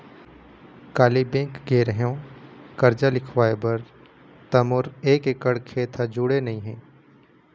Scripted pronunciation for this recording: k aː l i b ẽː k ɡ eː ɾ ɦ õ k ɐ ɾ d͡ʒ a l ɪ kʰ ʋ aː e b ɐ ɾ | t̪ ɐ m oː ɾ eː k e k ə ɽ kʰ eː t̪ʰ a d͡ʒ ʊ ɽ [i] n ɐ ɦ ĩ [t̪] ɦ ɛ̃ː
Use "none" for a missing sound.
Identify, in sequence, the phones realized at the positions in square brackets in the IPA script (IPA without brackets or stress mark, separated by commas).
e, none